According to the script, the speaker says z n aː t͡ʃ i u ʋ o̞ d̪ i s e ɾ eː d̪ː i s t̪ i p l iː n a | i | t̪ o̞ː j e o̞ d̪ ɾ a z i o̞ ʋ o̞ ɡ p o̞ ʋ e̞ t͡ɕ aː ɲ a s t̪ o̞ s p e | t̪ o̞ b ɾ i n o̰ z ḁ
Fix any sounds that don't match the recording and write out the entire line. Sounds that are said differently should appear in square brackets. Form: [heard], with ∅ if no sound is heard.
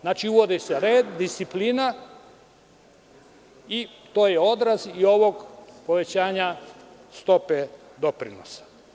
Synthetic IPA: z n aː t͡ʃ i u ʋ o̞ d̪ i s e ɾ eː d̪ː i s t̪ i p l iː n a | i | t̪ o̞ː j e o̞ d̪ ɾ a z i o̞ ʋ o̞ ɡ p o̞ ʋ e̞ t͡ɕ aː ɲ a s t̪ o̞ [∅] p e | [d̪] o̞ [p] ɾ i n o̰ [s] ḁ

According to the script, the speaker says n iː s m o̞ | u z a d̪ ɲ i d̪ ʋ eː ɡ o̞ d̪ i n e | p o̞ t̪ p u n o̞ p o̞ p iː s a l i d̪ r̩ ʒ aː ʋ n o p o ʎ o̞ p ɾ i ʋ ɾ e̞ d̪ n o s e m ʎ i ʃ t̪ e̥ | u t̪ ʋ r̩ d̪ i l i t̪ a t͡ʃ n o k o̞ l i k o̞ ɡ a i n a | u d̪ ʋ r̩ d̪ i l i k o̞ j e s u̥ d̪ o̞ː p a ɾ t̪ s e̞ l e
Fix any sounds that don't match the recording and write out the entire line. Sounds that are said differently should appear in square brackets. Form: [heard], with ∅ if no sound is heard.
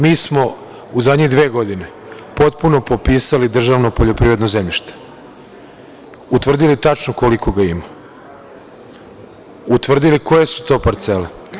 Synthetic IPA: [m] iː s m o̞ | u z a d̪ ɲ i d̪ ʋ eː ɡ o̞ d̪ i n e | p o̞ t̪ p u n o̞ p o̞ p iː s a l i d̪ r̩ ʒ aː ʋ n o p o ʎ o̞ p ɾ i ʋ ɾ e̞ d̪ n o [z] e m ʎ i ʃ t̪ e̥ | u t̪ ʋ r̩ d̪ i l i t̪ a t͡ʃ n o k o̞ l i k o̞ ɡ a i [m] a | u [t̪] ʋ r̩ d̪ i l i k o̞ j e s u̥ [t̪] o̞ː p a ɾ t̪ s e̞ l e

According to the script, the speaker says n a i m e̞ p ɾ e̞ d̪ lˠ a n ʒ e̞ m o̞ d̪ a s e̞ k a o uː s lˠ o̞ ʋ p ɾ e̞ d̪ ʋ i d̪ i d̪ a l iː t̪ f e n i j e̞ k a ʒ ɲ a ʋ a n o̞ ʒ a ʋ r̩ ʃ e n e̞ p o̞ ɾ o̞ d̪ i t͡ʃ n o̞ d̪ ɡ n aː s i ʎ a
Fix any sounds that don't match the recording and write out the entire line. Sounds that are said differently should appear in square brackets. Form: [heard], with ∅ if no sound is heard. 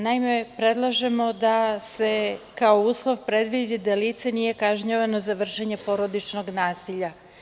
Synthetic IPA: n a i m e̞ p ɾ e̞ d̪ lˠ a [∅] ʒ e̞ m o̞ d̪ a s e̞ k a o uː s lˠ o̞ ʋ p ɾ e̞ d̪ ʋ i d̪ i d̪ a l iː t̪ [s] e n i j e̞ k a ʒ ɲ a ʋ a n o̞ [z] a ʋ r̩ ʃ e [ɲ] e̞ p o̞ ɾ o̞ d̪ i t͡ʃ n o̞ [∅] ɡ n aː s i ʎ a

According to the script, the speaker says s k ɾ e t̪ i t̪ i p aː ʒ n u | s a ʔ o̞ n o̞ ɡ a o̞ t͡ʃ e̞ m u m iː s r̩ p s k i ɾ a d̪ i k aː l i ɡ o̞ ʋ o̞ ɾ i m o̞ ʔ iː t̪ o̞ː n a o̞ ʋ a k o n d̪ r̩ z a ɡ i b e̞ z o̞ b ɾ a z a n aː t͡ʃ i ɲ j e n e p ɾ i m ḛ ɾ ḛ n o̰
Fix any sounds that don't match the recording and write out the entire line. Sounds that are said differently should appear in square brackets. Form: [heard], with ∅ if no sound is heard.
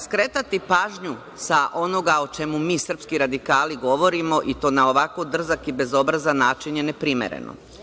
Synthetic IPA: s k ɾ e t̪ [a] t̪ i p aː ʒ [ɲ] u | s a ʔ o̞ n o̞ ɡ a o̞ t͡ʃ e̞ m u m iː s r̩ p s k i ɾ a d̪ i k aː l i ɡ o̞ ʋ o̞ ɾ i m o̞ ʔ [i] t̪ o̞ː n a o̞ ʋ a k o [∅] d̪ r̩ z a [k] i b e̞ z o̞ b ɾ a z a n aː t͡ʃ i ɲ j e n e p ɾ i m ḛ ɾ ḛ n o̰

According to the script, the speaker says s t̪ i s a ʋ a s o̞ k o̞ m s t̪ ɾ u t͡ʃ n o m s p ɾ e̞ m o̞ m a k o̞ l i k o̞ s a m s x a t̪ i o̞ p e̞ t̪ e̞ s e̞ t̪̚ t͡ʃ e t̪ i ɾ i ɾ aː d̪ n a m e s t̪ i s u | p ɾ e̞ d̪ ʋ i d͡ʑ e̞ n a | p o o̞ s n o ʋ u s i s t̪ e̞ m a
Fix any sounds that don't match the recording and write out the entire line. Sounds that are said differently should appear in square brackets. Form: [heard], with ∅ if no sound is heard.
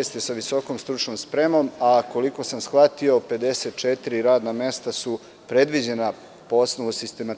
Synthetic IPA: s t̪ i s a ʋ [i] s o̞ k o̞ m s t̪ ɾ u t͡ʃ n o m s p ɾ e̞ m o̞ m a k o̞ l i k o̞ s a m s x a t̪ i o̞ p e̞ [d̪] e̞ s e̞ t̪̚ t͡ʃ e t̪ i ɾ i ɾ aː d̪ n a m e s t̪ [a] s u | p ɾ e̞ d̪ ʋ i d͡ʑ e̞ n a | p o o̞ s n o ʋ u s i s t̪ e̞ m a

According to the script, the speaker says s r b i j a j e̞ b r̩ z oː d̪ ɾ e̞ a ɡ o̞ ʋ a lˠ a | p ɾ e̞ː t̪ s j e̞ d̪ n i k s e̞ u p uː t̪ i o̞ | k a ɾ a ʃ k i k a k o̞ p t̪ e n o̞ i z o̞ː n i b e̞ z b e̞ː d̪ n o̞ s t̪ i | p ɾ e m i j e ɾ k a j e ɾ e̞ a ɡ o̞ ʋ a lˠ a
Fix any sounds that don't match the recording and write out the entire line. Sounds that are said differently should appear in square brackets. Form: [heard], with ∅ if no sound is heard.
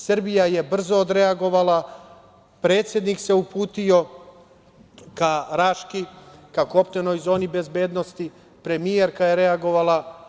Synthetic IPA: s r b i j a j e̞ b r̩ z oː d̪ ɾ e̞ a ɡ o̞ ʋ a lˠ a | p ɾ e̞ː t̪ s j e̞ d̪ n i k s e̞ u p uː t̪ i o̞ | k a ɾ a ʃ k i k a k o̞ p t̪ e n o̞ [j] z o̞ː n i b e̞ z b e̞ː d̪ n o̞ s t̪ i | p ɾ e m i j e ɾ k a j e ɾ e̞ a ɡ o̞ ʋ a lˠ a

